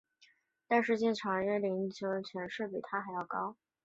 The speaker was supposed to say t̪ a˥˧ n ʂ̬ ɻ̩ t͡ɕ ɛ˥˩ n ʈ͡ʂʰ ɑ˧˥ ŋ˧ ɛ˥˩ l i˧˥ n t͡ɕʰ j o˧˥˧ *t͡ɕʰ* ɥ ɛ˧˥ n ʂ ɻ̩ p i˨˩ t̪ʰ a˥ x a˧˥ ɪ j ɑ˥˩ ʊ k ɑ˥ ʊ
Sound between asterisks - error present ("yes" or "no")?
no